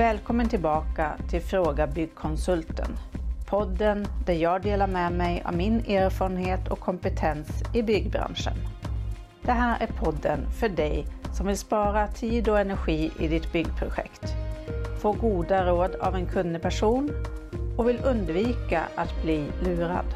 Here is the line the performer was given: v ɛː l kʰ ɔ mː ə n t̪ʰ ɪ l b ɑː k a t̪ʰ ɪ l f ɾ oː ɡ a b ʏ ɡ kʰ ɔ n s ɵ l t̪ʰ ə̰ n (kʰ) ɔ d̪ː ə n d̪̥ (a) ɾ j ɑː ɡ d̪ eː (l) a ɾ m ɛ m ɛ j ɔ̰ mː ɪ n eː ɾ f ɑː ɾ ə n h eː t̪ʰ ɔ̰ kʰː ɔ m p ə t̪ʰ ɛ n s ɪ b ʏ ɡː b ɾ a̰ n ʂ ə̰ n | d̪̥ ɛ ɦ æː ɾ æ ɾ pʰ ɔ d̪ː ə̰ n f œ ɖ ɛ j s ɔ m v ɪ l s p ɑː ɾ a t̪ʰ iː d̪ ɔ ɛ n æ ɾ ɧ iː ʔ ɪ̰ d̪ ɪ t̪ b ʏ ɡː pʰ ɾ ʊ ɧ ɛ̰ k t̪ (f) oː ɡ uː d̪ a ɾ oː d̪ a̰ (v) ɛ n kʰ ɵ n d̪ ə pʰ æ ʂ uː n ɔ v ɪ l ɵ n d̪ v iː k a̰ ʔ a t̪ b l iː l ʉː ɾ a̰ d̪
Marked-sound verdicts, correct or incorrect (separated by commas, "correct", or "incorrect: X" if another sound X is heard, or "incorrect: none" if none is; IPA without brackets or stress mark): incorrect: pʰ, incorrect: æ, correct, correct, correct